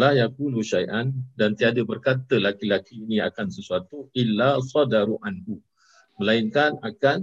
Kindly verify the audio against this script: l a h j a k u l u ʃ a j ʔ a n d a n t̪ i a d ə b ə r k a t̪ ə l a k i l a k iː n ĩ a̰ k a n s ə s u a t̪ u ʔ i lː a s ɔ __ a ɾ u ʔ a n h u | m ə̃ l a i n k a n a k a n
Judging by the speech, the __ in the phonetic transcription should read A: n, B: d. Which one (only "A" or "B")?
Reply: B